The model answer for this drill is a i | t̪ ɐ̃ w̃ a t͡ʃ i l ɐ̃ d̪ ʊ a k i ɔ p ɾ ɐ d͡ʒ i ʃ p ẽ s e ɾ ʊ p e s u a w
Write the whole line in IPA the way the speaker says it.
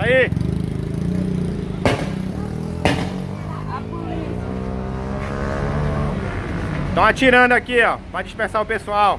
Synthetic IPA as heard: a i | t̪ ɐ̃ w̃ a t͡ʃ i ɾ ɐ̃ d̪ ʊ a k i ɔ p ɾ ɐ d͡ʒ i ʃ p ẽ s a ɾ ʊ p e s u a w